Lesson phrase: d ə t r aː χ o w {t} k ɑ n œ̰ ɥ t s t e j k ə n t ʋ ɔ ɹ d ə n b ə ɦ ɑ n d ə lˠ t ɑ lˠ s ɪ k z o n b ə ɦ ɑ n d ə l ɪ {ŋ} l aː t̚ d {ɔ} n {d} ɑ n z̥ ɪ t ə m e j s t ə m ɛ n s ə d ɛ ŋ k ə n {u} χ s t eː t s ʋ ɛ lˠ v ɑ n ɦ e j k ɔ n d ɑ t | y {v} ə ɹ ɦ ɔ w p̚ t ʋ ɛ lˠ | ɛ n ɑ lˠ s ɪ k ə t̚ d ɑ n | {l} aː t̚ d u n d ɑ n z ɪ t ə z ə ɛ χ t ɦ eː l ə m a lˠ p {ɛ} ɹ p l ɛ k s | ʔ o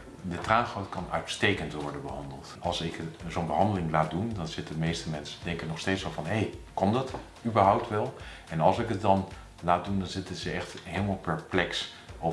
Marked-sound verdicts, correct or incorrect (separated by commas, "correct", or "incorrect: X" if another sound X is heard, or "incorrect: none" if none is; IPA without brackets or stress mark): correct, correct, incorrect: u, correct, incorrect: ɔ, incorrect: b, correct, correct